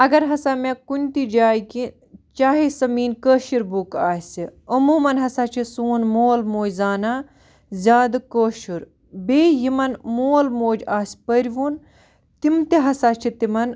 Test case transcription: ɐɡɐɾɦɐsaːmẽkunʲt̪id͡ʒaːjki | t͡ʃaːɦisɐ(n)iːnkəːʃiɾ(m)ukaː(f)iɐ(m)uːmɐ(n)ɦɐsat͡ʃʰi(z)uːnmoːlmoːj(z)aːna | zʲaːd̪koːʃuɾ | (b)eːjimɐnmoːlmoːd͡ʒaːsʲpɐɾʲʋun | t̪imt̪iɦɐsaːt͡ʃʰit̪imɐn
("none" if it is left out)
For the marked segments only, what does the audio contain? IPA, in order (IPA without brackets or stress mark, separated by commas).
m, b, s, m, n, s, z, b